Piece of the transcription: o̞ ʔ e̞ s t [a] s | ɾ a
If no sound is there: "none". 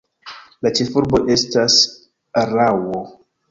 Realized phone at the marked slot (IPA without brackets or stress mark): a